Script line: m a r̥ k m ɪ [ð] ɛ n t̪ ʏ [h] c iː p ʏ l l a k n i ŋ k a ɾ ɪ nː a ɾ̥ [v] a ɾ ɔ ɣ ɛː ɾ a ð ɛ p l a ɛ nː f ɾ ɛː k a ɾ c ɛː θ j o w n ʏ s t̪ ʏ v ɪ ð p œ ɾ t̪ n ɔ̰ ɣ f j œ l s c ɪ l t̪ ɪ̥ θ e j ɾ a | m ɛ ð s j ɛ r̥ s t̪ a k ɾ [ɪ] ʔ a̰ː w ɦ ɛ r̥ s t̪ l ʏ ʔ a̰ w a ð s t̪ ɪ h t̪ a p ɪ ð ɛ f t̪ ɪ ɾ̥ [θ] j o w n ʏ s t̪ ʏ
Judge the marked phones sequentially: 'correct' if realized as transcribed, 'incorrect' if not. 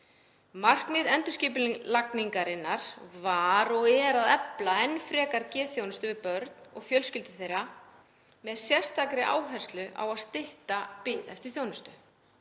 correct, incorrect, correct, correct, correct

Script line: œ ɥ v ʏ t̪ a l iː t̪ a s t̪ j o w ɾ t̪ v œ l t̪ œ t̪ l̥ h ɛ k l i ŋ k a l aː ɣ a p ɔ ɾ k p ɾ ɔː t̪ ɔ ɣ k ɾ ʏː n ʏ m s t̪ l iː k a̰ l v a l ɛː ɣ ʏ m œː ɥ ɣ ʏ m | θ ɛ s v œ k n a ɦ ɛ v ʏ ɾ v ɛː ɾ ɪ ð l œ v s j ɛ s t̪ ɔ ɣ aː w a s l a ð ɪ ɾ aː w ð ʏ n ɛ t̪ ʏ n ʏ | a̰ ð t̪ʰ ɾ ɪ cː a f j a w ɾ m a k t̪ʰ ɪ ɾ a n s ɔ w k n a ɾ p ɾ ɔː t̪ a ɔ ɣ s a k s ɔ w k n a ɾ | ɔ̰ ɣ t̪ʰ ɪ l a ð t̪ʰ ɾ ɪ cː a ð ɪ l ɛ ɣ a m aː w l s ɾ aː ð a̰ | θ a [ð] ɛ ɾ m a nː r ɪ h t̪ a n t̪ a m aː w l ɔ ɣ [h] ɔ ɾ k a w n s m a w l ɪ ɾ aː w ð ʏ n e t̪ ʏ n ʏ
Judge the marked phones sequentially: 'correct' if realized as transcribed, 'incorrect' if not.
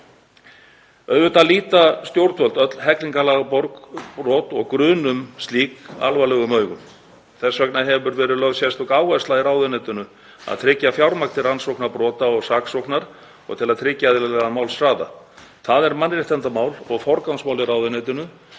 correct, incorrect

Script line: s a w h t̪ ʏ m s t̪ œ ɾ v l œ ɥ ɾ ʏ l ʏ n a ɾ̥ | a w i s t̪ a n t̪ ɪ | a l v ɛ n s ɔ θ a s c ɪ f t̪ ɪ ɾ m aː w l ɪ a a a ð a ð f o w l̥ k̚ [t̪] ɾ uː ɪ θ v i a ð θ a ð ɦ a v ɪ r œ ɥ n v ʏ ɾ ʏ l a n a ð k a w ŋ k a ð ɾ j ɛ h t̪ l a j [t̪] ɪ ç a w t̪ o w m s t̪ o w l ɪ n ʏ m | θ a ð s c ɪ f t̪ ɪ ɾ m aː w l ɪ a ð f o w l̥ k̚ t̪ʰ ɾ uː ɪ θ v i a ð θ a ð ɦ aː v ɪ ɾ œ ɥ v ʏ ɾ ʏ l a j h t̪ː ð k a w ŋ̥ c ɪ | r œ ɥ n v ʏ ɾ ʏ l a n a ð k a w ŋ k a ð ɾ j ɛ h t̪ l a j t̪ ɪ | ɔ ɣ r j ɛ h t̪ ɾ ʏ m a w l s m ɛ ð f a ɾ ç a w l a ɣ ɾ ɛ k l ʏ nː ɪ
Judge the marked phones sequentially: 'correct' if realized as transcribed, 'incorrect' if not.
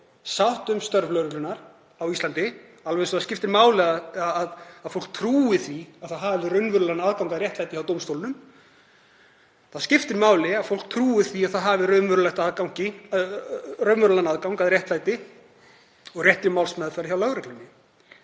incorrect, correct

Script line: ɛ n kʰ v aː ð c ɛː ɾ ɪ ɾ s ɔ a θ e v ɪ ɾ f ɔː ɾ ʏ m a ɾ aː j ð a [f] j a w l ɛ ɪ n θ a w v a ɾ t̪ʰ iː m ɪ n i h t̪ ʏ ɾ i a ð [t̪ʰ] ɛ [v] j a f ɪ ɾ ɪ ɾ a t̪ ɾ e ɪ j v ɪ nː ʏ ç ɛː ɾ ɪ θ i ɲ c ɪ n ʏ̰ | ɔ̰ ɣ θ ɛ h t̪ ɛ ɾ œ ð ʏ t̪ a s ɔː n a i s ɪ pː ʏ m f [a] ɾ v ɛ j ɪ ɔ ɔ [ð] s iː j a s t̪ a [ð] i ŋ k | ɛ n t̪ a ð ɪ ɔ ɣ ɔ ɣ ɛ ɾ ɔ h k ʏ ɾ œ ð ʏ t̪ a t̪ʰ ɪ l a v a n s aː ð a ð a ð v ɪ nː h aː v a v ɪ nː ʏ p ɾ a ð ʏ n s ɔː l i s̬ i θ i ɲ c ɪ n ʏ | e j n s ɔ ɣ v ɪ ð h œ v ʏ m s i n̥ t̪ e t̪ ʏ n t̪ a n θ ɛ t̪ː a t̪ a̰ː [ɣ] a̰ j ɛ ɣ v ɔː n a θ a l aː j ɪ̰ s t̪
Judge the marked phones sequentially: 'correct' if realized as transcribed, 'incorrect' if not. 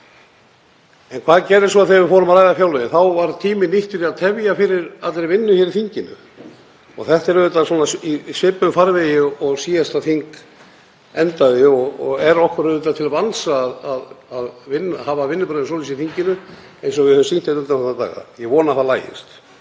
correct, correct, correct, correct, incorrect, incorrect, correct

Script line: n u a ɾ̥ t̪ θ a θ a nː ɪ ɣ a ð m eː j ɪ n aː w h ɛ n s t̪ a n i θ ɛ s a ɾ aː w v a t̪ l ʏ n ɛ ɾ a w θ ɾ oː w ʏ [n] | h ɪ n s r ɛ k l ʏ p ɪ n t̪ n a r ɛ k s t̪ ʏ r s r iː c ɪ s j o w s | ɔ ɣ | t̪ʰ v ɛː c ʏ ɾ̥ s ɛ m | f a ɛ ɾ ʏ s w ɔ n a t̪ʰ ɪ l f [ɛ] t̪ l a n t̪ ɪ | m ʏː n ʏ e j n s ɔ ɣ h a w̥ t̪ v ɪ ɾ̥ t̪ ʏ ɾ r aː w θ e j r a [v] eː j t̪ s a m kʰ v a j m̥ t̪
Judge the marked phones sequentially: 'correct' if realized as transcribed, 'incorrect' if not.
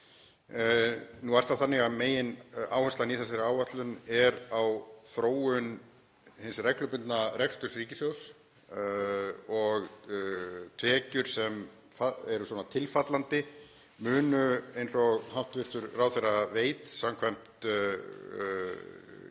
correct, incorrect, correct

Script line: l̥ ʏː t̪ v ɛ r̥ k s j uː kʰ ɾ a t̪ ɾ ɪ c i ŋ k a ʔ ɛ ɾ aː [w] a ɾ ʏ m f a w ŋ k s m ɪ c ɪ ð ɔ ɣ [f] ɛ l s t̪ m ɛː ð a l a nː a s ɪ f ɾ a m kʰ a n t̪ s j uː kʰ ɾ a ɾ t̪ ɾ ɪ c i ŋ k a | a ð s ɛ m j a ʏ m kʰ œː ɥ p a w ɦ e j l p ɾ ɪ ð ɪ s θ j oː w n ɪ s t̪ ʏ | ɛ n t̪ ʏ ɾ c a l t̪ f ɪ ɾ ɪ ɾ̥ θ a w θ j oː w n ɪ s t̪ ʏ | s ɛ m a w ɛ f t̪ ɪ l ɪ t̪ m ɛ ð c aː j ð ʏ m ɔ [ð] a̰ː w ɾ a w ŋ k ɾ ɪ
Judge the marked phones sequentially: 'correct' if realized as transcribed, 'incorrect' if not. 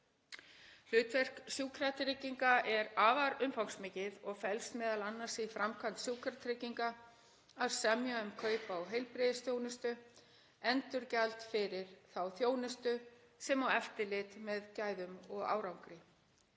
incorrect, correct, incorrect

